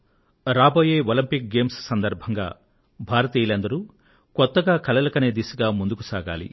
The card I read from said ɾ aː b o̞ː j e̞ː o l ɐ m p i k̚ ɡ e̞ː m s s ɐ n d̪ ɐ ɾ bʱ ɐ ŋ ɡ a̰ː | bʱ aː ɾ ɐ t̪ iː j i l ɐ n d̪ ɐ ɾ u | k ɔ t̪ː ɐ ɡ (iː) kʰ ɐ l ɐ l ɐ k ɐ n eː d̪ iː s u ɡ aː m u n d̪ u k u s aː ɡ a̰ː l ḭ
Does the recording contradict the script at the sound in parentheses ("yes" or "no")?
yes